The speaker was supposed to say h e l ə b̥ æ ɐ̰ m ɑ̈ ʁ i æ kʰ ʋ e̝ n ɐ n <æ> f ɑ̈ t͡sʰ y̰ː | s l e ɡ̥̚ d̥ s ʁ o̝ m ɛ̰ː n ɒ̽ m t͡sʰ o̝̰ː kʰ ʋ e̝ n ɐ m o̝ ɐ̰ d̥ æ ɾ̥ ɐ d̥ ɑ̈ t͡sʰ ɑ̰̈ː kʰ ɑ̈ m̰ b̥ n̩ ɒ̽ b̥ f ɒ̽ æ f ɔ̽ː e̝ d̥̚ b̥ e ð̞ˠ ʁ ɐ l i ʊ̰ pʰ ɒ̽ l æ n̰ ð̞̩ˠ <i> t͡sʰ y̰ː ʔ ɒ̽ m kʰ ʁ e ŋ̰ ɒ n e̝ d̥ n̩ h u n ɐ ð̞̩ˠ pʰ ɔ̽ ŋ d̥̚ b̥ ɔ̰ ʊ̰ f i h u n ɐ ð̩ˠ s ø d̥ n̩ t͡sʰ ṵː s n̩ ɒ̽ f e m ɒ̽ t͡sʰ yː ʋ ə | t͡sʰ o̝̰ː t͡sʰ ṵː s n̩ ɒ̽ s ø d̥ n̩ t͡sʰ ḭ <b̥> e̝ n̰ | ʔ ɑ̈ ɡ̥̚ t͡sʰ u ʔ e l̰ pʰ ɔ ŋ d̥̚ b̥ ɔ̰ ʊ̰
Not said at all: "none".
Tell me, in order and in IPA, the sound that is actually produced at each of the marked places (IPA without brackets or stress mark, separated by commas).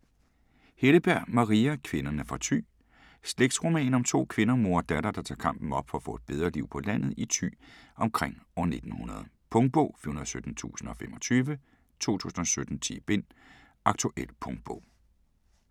æ, i, b̥